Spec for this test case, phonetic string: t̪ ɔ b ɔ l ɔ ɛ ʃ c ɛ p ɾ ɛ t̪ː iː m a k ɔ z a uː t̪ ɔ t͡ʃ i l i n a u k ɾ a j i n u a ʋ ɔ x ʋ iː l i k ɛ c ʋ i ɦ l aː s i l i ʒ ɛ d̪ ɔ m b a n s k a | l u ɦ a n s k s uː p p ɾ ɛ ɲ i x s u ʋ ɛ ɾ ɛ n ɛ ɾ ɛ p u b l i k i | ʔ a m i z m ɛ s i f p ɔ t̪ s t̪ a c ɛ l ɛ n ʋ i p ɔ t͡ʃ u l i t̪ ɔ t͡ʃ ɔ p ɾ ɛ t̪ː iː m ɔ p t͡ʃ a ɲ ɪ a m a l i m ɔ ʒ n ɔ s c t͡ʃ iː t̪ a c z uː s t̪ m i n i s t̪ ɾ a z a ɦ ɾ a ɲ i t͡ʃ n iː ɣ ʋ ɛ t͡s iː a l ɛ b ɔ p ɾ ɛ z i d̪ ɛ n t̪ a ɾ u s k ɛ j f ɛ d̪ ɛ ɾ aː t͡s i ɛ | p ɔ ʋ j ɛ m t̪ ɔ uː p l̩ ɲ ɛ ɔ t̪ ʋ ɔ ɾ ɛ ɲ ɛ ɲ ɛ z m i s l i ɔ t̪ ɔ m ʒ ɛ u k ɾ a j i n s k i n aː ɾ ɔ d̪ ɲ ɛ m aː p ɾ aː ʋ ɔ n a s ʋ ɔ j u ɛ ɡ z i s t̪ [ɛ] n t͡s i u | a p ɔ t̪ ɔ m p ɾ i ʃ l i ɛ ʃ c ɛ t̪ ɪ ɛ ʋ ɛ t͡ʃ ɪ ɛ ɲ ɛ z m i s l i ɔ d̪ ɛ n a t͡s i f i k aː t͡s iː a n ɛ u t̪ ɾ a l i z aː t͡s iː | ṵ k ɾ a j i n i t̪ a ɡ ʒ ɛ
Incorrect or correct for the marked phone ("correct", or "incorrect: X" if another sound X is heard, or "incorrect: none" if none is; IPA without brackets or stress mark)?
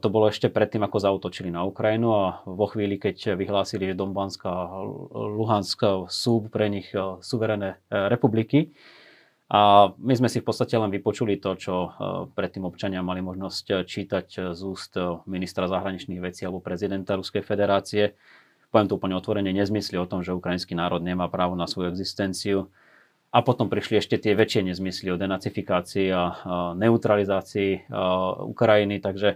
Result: correct